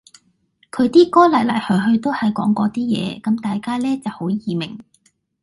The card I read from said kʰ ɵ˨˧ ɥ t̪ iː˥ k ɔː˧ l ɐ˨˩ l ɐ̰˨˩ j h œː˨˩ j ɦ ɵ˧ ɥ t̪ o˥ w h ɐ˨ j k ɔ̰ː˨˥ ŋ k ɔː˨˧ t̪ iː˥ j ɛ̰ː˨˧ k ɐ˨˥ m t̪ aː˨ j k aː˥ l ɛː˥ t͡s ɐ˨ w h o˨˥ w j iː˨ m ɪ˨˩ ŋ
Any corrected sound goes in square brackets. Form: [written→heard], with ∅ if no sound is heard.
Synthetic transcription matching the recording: kʰ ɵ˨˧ ɥ t̪ iː˥ k [ɔː˧→ɔː˥] l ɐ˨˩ l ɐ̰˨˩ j h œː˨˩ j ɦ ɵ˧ ɥ t̪ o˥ w h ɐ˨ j k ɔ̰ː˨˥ ŋ k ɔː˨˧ t̪ iː˥ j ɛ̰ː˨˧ k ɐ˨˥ m t̪ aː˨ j k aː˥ l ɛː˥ t͡s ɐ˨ w h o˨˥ w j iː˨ m ɪ˨˩ ŋ